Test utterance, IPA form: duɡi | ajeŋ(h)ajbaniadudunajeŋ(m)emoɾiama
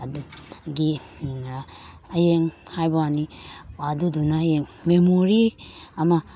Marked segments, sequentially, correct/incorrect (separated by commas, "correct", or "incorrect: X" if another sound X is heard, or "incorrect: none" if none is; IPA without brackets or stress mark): correct, correct